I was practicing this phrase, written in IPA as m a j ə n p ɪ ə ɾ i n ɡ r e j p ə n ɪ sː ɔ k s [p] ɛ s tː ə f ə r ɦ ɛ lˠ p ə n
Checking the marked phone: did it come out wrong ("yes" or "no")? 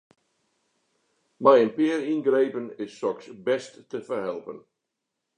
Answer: yes